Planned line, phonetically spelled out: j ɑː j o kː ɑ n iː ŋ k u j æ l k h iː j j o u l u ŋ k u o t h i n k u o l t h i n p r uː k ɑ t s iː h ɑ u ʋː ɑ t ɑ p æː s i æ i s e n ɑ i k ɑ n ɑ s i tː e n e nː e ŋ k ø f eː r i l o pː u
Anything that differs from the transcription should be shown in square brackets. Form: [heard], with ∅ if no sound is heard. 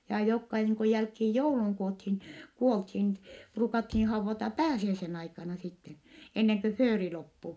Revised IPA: j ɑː j o kː ɑ n iː ŋ k u j æ l k h iː j j o u l u ŋ k u o t h i n k u o l t h i n p r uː k ɑ t [h] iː h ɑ u ʋː ɑ t ɑ p æː s i æ i s e n ɑ i k ɑ n ɑ s i tː e n e nː e ŋ k ø f [øː] r i l o pː u